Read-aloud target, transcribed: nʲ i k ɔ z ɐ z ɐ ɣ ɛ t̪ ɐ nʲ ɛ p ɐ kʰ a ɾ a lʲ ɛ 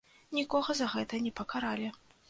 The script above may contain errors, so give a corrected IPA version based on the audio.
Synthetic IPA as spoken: nʲ i k ɔ ɣ ɐ z ɐ ɣ ɛ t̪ ɐ nʲ ɛ p ɐ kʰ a ɾ a lʲ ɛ